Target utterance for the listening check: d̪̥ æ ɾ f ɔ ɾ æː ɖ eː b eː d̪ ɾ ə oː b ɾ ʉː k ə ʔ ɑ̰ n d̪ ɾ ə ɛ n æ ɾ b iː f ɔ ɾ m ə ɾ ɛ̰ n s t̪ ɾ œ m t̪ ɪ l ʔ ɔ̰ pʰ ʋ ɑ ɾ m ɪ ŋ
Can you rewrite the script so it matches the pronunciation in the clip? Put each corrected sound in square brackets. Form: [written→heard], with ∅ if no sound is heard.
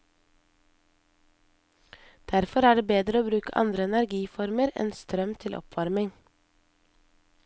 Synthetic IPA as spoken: d̪̥ æ ɾ f ɔ ɾ æː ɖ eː b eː d̪ ɾ ə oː b ɾ ʉː k ə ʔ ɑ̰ n d̪ ɾ ə ɛ n æ ɾ [b→ɡ] iː f ɔ ɾ m ə ɾ ɛ̰ n s t̪ ɾ œ m [t̪→t̪ʰ] ɪ l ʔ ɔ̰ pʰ ʋ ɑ ɾ m ɪ ŋ